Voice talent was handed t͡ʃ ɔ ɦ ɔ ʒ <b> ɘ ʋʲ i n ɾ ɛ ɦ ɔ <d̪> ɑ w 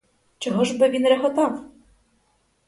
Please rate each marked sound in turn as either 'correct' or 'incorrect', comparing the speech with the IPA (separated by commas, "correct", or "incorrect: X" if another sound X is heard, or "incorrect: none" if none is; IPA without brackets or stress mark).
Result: correct, incorrect: t̪